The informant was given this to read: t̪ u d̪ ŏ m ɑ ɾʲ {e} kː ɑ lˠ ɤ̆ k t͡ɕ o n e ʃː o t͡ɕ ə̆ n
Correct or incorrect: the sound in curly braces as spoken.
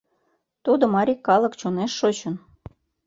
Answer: incorrect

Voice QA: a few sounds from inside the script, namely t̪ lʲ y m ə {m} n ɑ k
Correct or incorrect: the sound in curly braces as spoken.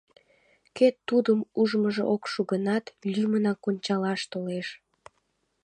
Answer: incorrect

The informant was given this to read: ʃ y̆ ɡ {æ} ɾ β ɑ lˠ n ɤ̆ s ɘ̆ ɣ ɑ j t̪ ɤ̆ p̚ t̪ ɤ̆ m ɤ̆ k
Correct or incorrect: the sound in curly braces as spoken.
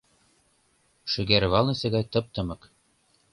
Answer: correct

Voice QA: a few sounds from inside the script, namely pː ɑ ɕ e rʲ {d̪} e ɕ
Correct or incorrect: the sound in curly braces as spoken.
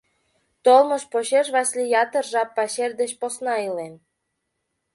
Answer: correct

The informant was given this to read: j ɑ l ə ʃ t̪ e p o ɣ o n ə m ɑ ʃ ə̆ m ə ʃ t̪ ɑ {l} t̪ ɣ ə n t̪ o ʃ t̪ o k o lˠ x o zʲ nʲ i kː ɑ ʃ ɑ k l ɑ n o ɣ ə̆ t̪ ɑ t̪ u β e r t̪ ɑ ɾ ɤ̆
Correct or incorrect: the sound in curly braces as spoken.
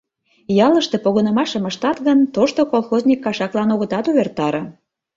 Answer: incorrect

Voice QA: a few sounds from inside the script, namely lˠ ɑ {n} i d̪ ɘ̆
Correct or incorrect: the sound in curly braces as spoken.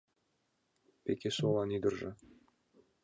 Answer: correct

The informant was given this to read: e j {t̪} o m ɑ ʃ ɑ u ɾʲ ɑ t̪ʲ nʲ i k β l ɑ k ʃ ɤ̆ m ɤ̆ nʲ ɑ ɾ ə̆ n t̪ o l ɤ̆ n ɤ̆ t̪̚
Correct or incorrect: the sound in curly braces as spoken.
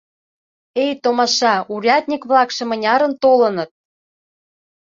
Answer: correct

